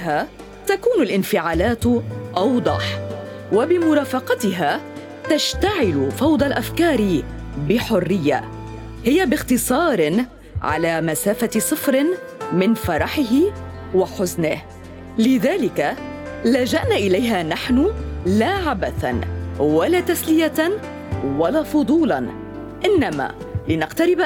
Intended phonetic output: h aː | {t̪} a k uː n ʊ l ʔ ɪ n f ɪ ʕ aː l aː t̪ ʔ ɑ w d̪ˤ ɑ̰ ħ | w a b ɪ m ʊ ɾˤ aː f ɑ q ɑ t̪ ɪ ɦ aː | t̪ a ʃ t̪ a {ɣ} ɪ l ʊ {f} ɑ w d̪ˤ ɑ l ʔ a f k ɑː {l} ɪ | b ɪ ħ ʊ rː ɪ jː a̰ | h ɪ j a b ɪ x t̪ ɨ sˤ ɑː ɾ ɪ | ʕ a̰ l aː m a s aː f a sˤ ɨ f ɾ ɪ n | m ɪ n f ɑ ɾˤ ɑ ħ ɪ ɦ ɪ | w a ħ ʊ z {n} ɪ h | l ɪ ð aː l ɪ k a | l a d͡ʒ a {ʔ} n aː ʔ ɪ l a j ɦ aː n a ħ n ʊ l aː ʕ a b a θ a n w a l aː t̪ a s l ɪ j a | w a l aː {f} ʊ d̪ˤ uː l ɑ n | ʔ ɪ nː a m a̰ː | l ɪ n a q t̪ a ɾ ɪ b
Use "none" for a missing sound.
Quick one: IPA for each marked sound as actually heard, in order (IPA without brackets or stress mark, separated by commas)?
t̪, ʕ, f, ɾ, n, ʔ, f